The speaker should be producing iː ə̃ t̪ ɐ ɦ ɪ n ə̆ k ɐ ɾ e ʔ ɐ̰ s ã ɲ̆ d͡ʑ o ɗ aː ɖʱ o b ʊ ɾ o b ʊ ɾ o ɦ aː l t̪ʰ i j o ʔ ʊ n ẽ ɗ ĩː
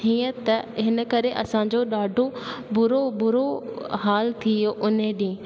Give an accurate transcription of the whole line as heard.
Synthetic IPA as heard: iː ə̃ t̪ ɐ ɦ ɪ n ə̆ k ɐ ɾ e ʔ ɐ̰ s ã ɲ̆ d͡ʑ o ɗ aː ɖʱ o b ʊ ɾ o b ʊ ɾ o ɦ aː l t̪ʰ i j o ʔ ʊ n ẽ ɗ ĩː